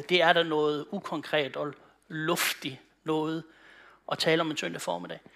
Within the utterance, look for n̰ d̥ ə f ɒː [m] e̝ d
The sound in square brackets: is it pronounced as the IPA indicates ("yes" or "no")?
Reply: yes